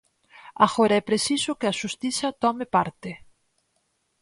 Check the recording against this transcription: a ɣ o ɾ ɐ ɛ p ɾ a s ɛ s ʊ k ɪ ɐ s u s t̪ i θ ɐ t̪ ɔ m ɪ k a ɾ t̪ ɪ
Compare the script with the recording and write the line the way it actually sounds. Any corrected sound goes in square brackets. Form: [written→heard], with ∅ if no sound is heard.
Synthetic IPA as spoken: a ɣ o ɾ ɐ ɛ p ɾ [a→e] s [ɛ→i] s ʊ k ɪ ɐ [s→ʃ] u s t̪ i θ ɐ t̪ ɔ m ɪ [k→p] a ɾ t̪ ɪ